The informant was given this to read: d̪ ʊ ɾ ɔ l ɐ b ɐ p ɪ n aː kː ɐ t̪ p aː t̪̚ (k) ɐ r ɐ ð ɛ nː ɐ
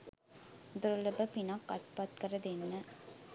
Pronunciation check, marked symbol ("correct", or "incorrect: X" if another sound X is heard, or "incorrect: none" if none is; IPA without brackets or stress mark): correct